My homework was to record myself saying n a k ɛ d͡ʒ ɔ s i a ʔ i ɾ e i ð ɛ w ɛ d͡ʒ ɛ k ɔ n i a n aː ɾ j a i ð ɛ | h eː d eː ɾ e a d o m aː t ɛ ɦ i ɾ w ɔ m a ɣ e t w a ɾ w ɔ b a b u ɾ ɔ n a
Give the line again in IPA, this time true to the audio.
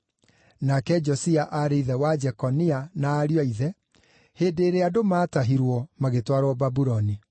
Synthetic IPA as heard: n a k ɛ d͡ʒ ɔ s i a ʔ a ɾ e i ð ɛ w a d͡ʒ ɛ k ɔ n i a n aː ɾ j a i ð ɛ | h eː d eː ɾ e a d o m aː t a ɦ i ɾ w ɔ m a ɣ e t w a ɾ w ɔ b a b u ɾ ɔ n i